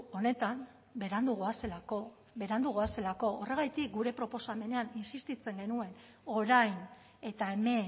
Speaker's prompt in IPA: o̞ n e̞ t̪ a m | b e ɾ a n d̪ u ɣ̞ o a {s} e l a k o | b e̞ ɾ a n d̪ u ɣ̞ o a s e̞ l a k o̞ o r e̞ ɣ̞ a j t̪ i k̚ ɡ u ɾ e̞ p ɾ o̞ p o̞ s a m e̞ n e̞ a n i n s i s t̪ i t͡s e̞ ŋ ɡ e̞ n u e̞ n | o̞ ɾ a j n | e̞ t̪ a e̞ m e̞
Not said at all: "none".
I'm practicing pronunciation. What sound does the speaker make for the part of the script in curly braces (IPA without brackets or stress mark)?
s